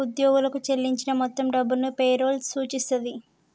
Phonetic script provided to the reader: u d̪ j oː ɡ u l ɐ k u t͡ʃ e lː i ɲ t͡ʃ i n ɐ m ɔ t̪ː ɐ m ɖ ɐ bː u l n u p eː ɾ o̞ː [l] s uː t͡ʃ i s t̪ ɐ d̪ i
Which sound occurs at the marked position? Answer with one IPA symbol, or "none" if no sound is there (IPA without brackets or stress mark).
l